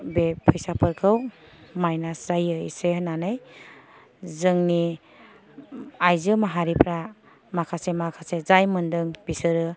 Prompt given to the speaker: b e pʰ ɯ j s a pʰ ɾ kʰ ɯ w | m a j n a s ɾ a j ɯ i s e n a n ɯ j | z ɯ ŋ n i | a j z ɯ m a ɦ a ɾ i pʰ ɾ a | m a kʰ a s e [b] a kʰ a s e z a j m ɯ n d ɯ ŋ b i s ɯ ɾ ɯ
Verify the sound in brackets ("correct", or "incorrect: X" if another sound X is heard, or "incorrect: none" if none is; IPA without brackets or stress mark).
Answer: incorrect: m